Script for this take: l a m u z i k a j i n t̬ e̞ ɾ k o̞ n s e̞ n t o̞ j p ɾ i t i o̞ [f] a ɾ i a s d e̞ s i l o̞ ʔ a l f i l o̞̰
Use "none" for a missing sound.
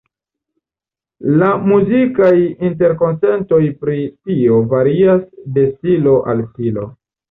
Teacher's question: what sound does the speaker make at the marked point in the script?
v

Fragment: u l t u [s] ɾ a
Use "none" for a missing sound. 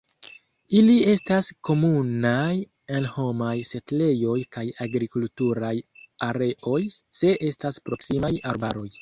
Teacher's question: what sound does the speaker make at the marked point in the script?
none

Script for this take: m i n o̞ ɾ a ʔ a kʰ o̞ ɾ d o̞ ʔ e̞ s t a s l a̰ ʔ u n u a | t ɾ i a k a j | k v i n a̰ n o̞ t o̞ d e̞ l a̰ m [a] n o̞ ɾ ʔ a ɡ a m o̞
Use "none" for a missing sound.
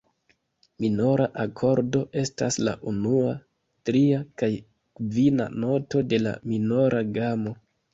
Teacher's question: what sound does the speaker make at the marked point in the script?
i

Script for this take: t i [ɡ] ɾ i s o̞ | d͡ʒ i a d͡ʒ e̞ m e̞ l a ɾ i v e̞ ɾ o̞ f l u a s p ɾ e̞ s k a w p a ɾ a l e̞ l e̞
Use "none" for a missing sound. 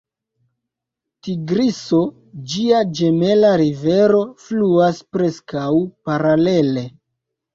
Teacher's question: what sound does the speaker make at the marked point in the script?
ɡ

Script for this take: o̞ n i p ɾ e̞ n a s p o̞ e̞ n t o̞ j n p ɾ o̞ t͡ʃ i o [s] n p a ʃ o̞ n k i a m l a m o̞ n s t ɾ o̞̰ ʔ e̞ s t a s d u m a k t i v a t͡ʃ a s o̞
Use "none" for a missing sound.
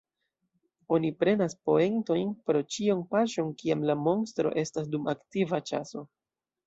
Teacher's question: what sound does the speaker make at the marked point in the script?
none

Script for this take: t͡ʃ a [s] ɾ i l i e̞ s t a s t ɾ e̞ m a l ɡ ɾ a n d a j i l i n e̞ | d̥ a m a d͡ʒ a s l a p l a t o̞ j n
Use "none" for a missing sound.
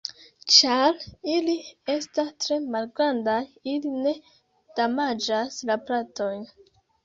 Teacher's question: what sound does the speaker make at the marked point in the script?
none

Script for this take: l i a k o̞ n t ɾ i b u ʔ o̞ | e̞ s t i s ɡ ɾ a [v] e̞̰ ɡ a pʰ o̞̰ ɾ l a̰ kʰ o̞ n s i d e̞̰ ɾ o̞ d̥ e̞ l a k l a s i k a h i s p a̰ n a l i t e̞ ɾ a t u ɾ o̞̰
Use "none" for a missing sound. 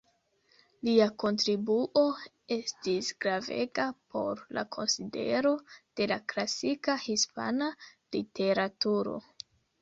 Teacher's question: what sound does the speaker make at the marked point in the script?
v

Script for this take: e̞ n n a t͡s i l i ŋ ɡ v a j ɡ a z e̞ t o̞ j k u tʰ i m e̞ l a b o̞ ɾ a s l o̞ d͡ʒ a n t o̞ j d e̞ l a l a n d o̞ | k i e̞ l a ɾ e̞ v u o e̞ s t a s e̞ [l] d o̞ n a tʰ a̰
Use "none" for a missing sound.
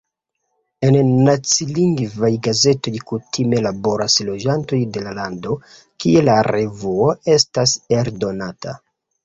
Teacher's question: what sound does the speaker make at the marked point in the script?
ɾ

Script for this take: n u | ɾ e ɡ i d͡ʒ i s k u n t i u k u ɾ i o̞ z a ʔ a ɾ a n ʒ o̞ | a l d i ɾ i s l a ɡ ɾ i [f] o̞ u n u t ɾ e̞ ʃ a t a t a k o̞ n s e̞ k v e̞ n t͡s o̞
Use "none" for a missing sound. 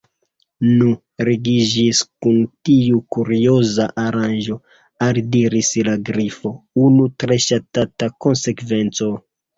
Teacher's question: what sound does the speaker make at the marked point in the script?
f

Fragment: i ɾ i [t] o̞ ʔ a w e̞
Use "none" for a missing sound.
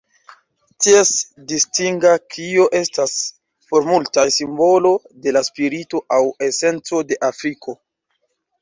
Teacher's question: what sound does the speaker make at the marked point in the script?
t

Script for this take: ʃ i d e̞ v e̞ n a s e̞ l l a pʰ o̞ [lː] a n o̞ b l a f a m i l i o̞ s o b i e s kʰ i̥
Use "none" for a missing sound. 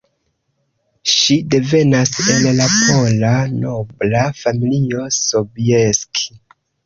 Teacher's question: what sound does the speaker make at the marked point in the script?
l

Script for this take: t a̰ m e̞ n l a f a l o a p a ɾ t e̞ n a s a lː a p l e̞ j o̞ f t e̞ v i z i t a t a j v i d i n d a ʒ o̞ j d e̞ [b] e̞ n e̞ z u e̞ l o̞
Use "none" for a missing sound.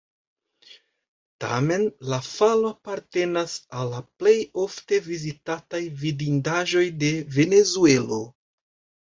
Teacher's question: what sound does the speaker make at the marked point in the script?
v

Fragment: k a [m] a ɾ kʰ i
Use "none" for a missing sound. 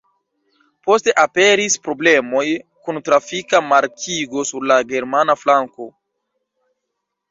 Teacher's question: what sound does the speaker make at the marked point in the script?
m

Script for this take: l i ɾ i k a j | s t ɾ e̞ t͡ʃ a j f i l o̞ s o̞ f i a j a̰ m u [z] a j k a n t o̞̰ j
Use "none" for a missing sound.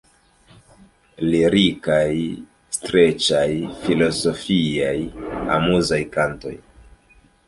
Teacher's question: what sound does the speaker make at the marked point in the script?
z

